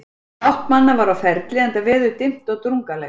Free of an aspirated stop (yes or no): yes